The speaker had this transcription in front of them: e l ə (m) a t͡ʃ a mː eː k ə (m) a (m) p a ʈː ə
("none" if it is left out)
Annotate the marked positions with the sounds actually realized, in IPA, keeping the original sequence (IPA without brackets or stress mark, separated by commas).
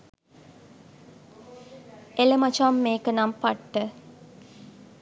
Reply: m, n, m